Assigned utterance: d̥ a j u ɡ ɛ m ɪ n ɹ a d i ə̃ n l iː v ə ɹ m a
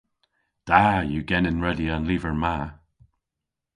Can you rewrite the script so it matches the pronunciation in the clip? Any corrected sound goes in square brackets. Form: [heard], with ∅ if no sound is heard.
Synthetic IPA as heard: d̥ a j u ɡ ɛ [n] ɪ n ɹ [ɛ] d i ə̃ n l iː v ə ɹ m a